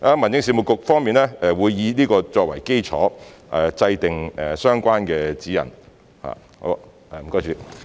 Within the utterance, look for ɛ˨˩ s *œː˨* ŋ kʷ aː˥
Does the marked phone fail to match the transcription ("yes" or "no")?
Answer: yes